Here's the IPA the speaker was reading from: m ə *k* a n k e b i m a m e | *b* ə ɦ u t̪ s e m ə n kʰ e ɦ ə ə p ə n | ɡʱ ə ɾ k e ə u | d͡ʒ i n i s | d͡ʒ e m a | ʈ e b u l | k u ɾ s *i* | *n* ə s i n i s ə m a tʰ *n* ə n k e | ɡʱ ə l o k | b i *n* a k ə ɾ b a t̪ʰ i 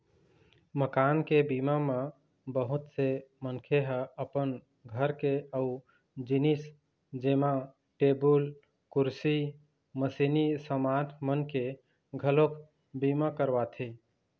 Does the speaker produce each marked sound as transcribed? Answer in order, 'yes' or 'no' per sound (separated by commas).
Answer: yes, yes, yes, no, no, no